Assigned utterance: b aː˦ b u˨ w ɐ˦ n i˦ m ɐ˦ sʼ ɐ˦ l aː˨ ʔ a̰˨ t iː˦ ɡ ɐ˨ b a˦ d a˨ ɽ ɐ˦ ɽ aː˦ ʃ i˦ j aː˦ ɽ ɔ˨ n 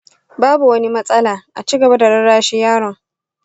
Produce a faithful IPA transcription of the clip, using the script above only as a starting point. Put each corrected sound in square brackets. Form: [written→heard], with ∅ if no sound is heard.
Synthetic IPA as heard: b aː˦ b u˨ w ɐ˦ n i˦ m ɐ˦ sʼ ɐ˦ l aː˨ ʔ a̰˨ [t→t͡ʃ] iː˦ ɡ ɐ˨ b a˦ d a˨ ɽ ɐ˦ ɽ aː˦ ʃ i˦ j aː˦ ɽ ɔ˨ [n→ŋ]